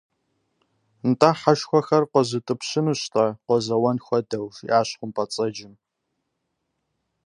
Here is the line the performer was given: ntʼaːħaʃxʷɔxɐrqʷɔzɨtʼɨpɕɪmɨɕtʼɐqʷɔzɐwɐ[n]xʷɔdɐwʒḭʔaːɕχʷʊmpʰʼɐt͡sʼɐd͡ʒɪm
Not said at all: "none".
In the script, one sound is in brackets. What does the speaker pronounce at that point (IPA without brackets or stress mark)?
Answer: n